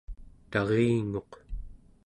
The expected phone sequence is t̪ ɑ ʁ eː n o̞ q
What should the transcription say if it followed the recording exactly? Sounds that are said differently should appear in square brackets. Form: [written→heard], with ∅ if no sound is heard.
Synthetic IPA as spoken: t̪ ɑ ʁ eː [n→ŋ] o̞ q